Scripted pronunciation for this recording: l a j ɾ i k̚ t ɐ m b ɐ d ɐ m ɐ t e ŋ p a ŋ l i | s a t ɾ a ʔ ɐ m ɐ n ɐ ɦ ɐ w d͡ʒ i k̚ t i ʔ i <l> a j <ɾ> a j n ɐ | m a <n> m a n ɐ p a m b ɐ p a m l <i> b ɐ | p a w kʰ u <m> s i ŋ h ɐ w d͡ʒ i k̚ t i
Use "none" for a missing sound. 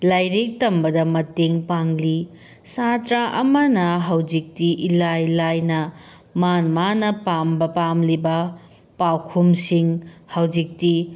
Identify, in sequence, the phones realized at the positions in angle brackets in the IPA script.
l, l, n, i, m

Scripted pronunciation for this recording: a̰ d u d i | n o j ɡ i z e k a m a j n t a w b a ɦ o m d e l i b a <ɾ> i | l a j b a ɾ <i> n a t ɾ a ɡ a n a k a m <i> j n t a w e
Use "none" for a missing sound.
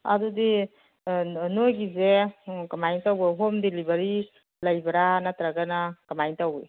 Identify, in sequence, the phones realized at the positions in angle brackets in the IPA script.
ɾ, a, a

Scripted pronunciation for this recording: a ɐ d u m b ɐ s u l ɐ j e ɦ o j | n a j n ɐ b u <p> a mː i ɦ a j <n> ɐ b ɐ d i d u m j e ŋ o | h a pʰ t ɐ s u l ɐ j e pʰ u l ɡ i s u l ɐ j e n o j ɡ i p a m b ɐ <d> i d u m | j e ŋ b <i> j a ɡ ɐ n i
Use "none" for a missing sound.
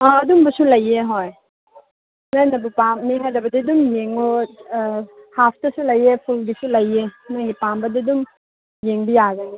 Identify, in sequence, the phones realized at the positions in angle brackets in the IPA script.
p, d, d, i

